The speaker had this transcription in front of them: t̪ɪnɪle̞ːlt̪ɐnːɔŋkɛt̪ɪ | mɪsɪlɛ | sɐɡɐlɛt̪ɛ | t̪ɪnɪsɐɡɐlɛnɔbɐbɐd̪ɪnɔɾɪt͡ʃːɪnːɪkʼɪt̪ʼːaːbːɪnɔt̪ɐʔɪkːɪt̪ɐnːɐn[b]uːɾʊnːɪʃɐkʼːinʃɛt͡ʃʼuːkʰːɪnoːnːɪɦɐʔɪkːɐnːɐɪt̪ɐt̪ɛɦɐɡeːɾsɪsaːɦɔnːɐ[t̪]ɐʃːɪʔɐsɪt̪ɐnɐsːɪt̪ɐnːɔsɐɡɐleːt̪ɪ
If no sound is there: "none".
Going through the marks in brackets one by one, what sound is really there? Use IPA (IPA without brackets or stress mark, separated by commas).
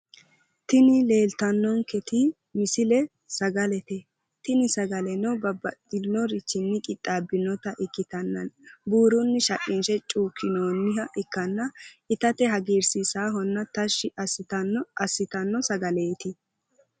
b, t̪